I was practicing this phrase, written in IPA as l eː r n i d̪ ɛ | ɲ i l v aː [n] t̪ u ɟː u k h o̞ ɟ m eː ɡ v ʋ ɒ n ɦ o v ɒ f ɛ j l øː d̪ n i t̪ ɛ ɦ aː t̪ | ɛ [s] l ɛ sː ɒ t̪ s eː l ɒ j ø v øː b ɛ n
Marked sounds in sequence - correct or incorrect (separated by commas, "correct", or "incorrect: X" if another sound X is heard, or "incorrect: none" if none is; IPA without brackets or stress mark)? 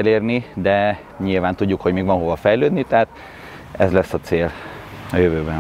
correct, incorrect: z